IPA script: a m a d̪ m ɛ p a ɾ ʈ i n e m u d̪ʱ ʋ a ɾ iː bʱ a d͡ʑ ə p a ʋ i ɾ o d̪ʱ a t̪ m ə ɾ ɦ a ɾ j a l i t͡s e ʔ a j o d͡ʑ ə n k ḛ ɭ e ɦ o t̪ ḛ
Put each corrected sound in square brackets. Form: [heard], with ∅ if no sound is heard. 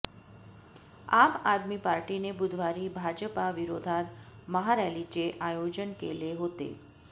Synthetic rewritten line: a m a d̪ m [i] p a ɾ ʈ i n e [b] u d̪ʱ ʋ a ɾ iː bʱ a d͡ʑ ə p a ʋ i ɾ o d̪ʱ a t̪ m ə [∅] ɦ a ɾ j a l i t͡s e ʔ a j o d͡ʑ ə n k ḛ [l] e ɦ o t̪ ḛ

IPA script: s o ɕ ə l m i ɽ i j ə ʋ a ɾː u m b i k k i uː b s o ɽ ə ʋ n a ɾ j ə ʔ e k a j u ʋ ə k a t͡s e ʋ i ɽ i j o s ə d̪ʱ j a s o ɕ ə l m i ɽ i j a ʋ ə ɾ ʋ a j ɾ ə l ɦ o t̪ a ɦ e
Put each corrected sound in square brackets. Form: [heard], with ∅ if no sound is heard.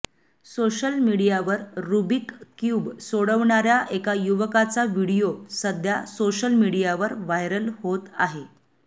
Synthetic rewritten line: s o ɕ ə l m i ɽ i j [a] ʋ [ə] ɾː u [∅] b i k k [j] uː b s o ɽ ə ʋ [ɳ] a ɾ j [a] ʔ e k a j u ʋ ə k a t͡s [a] ʋ i ɽ i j o s ə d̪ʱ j a s o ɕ ə l m i ɽ i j a ʋ ə ɾ ʋ a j ɾ ə l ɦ o t̪ a ɦ e

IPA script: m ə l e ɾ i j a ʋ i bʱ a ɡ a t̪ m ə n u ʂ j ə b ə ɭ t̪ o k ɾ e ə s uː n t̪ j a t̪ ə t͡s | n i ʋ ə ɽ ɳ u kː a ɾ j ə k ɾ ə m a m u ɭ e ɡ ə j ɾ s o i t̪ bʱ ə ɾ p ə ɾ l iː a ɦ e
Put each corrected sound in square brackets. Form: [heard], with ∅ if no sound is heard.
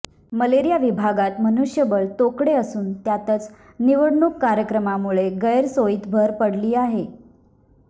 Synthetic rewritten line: m ə l e ɾ i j a ʋ i bʱ a ɡ a t̪ m ə n u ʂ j ə b ə ɭ t̪ o k [ɽ] e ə s uː n t̪ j a t̪ ə t͡s | n i ʋ ə ɽ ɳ u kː a ɾ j ə k ɾ ə m a m u ɭ e ɡ ə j ɾ s o i t̪ bʱ ə ɾ p ə [ɽ] l iː a ɦ e

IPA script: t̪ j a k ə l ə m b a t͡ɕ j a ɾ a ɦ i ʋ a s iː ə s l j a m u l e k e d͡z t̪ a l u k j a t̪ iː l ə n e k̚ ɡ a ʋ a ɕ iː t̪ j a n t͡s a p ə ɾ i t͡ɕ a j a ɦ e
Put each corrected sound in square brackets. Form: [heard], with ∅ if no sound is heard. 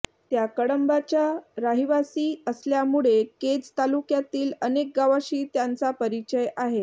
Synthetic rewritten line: t̪ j a k ə [ɽ] ə m b a t͡ɕ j a ɾ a ɦ i ʋ a s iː ə s l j a m u [ɭ] e k e d͡z t̪ a l u k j a t̪ iː l ə n e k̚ ɡ a ʋ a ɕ iː t̪ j a n t͡s a p ə ɾ i t͡ɕ [ə] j a ɦ e

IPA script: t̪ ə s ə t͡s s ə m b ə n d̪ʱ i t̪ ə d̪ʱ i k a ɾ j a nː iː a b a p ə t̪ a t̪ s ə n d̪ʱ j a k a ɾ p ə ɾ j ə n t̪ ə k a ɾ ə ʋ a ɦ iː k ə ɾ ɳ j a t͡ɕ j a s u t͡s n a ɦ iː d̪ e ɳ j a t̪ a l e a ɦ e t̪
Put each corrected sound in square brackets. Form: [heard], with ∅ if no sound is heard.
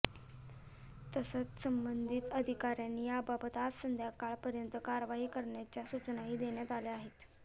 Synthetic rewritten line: t̪ ə s ə t͡s s ə m b ə n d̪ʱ i t̪ ə d̪ʱ i k a ɾ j a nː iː a b a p ə t̪ a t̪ s ə n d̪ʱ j a k a [ɭ] p ə ɾ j ə n t̪ ə k a ɾ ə ʋ a ɦ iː k ə ɾ ɳ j a t͡ɕ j a s u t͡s n a ɦ iː d̪ e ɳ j a t̪ a l e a ɦ e t̪

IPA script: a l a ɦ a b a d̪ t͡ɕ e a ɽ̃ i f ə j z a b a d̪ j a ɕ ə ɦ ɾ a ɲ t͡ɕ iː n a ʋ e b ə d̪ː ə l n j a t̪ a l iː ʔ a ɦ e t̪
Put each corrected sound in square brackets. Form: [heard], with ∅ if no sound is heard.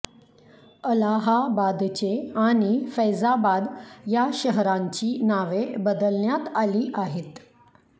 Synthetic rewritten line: [ə] l a ɦ a b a d̪ t͡ɕ e a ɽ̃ i f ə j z a b a d̪ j a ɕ ə ɦ ɾ a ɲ t͡ɕ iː n a ʋ e b ə [d̪] ə l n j a t̪ a l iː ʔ a ɦ e t̪

